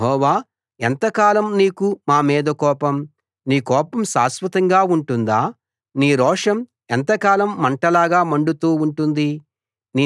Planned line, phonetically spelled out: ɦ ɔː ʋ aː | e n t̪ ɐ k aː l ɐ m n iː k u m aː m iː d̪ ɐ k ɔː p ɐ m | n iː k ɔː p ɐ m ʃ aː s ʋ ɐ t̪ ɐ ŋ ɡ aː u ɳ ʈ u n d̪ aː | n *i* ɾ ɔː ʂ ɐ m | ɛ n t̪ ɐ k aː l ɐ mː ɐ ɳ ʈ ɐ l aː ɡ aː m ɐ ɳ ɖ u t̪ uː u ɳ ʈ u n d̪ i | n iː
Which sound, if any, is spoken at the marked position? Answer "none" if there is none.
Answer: iː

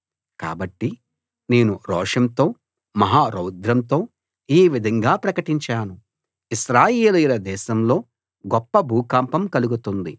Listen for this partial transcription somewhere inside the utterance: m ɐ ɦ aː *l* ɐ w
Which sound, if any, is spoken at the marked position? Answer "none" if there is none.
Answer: ɾ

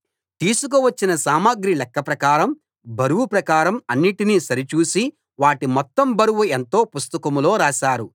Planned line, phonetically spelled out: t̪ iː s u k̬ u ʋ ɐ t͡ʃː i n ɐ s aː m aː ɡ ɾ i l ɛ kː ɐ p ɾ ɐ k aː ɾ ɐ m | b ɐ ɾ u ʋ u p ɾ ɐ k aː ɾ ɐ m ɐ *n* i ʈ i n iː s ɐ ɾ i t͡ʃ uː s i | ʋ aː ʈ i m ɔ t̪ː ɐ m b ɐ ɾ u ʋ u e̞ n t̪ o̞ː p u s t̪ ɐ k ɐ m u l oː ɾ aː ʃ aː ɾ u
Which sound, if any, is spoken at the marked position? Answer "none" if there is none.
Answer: nː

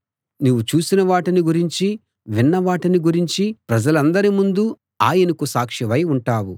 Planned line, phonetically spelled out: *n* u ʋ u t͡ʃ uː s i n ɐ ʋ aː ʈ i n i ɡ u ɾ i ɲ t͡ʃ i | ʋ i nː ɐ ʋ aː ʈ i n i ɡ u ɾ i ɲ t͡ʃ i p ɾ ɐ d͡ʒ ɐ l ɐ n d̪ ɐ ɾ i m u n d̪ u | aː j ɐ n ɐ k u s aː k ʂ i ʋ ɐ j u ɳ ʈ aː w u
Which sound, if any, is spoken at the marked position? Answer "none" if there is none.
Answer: n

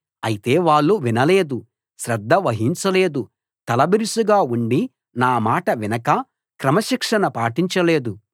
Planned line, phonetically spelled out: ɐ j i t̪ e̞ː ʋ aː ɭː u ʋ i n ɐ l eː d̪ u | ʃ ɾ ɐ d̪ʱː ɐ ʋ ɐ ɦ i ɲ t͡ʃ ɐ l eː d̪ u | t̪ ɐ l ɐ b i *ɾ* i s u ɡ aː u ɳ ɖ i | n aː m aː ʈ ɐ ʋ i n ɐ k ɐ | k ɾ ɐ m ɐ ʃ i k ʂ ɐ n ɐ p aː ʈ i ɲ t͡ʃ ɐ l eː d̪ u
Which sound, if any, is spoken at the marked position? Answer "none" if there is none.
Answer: ɾ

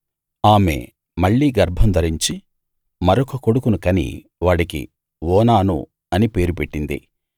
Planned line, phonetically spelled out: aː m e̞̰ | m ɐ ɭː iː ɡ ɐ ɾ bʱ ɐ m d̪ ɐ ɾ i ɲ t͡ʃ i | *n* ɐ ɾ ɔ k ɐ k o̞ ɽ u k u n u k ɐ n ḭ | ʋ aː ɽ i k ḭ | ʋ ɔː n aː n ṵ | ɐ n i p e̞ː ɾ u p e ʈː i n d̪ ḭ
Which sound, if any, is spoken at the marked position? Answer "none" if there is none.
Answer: m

